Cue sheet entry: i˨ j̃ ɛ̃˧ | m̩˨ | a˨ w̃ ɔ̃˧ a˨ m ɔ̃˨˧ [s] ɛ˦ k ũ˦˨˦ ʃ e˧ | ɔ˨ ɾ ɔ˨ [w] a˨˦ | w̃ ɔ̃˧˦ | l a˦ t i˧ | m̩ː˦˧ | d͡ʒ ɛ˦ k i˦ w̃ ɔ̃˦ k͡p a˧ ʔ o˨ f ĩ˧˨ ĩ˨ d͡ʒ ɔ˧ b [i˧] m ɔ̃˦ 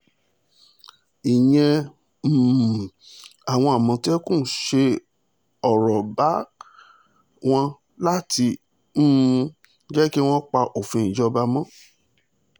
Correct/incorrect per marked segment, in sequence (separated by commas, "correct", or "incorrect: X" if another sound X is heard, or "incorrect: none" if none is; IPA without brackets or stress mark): incorrect: t, incorrect: b, incorrect: a˧